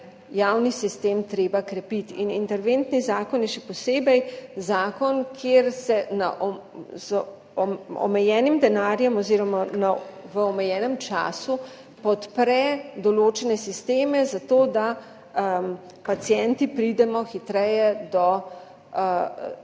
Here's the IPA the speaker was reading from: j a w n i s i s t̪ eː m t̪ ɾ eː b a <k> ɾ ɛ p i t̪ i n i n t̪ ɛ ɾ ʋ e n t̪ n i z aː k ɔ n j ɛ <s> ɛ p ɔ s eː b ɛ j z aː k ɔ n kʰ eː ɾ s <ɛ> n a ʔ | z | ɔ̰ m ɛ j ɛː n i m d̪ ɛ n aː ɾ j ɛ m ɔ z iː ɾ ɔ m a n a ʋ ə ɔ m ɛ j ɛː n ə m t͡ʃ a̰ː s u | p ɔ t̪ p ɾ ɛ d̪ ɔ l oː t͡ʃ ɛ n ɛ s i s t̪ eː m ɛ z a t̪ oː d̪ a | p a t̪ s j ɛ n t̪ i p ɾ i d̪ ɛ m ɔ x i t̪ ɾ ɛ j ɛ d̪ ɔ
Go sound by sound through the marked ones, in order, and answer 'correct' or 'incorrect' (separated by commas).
correct, incorrect, correct